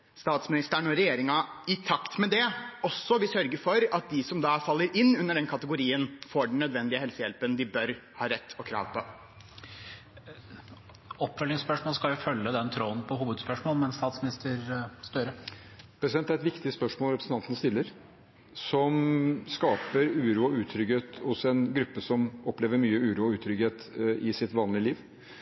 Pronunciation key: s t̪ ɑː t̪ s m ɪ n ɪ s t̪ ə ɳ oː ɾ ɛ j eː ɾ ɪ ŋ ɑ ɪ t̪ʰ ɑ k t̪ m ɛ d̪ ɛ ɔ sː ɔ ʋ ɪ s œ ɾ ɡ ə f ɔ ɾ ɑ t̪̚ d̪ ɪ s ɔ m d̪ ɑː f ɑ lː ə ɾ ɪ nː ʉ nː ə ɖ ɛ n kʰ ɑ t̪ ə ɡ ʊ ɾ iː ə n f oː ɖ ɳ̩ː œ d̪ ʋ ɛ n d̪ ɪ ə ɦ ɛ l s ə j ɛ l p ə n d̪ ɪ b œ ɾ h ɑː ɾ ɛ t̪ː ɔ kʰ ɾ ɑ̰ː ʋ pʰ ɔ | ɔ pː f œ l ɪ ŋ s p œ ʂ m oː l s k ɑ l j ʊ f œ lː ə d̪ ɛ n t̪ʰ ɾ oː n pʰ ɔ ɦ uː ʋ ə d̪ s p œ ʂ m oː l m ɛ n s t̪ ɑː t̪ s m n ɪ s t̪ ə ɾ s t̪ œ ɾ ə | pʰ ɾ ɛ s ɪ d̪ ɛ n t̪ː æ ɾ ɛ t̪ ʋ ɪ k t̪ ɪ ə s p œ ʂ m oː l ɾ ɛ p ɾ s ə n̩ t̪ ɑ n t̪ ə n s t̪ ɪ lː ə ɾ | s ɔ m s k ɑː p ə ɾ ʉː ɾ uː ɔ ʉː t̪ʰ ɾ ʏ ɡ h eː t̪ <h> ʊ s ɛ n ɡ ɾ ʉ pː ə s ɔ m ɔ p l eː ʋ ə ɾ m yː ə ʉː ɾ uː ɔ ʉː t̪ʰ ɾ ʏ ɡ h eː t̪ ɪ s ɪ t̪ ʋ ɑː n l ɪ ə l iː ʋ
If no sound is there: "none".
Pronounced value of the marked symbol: h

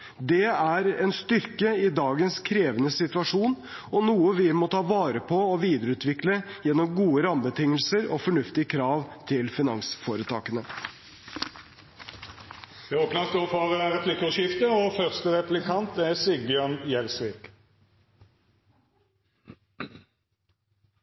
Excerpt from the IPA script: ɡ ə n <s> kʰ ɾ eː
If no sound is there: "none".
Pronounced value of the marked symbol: s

